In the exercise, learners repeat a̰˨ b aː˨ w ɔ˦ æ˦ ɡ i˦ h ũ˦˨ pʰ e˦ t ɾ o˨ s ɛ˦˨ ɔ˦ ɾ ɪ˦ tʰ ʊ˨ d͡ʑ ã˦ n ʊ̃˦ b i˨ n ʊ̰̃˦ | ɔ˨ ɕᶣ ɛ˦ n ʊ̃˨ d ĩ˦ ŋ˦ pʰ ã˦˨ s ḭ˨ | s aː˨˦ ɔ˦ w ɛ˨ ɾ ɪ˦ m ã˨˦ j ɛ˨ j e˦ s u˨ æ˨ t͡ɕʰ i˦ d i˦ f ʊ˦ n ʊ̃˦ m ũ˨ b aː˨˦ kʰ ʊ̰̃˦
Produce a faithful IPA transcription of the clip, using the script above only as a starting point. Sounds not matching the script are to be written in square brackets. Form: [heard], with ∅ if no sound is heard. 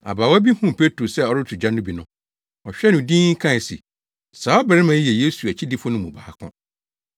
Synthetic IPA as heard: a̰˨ b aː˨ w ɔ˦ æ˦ [b] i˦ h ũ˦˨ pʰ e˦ t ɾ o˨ s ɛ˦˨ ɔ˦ ɾ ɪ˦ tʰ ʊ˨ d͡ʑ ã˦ n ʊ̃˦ b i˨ n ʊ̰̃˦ | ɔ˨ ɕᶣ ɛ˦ n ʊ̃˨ d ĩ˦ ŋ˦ [kʰ] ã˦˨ s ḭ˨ | s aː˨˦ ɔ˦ [b] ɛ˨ ɾ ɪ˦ m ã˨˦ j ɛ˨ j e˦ s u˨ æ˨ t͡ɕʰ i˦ d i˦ f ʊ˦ n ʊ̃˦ m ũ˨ b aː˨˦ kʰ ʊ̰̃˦